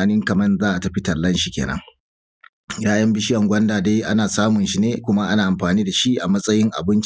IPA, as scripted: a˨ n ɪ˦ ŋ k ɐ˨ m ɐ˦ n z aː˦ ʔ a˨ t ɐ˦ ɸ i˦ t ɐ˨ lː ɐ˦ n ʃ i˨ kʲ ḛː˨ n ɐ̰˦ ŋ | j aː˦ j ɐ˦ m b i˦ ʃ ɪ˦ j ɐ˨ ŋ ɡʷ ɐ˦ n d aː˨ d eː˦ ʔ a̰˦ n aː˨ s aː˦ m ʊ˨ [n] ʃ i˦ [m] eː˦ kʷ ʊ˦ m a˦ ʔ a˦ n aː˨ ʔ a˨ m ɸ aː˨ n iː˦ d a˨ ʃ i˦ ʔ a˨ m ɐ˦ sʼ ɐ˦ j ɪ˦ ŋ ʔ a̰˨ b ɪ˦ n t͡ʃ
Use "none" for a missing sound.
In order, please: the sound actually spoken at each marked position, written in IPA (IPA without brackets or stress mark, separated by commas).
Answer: n, n